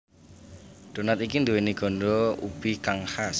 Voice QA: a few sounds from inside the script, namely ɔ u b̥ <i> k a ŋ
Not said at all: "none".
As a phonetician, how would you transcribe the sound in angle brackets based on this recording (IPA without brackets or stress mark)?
i